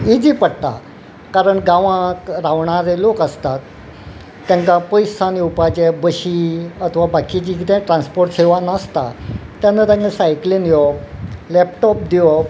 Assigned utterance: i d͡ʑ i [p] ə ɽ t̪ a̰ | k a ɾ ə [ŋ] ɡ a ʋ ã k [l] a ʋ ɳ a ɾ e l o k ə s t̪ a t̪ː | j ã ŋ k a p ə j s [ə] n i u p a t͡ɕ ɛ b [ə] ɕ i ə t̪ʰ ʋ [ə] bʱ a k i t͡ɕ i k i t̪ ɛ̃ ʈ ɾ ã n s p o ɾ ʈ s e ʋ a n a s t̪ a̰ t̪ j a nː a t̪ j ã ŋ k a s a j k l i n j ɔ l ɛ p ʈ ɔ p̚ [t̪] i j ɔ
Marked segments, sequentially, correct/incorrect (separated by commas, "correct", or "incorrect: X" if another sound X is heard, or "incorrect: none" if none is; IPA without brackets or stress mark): correct, incorrect: ɳ, incorrect: ɾ, incorrect: a, correct, incorrect: a, incorrect: d̪